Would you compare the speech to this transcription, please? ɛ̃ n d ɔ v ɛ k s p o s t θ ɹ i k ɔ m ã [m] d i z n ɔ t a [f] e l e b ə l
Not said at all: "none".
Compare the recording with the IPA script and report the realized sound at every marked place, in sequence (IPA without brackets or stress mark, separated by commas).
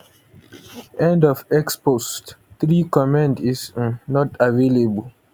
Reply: n, v